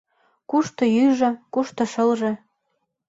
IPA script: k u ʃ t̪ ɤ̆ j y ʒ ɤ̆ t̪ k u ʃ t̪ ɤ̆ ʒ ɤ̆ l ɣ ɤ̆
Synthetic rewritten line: k u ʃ t̪ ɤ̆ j y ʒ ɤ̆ k u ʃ t̪ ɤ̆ ʃ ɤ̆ l ʒ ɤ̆